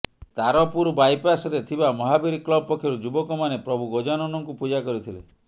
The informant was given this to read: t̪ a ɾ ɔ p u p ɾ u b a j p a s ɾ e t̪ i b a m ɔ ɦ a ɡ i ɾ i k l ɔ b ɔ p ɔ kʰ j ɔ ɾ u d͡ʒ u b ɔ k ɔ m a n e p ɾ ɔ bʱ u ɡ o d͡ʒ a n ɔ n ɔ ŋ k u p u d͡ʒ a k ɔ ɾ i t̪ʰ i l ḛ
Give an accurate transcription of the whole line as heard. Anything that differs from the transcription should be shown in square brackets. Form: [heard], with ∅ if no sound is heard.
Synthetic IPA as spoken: t̪ a ɾ ɔ p u [∅] ɾ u b a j p a s ɾ e [t̪ʰ] i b a m ɔ ɦ a [b] i ɾ i k l ɔ b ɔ p ɔ kʰ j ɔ ɾ u d͡ʒ u b ɔ k ɔ m a n e p ɾ ɔ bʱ u ɡ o d͡ʒ a n ɔ n ɔ ŋ k u p u d͡ʒ a k ɔ ɾ i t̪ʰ i l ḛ